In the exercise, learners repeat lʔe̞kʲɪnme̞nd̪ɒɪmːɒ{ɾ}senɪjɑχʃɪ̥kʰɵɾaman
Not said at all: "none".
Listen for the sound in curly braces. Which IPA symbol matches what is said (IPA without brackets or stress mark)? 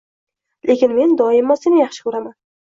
none